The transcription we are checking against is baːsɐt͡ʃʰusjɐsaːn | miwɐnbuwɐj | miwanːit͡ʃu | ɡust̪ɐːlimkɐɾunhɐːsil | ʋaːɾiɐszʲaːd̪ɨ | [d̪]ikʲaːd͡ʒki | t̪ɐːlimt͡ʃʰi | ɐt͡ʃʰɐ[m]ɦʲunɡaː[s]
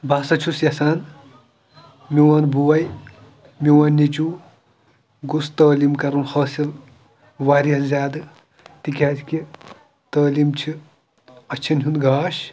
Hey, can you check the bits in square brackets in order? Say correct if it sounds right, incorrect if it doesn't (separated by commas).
incorrect, incorrect, incorrect